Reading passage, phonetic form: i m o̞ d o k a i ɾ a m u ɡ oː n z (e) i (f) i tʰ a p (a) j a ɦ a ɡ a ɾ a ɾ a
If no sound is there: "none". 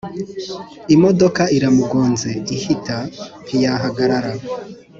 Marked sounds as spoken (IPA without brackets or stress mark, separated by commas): e, h, i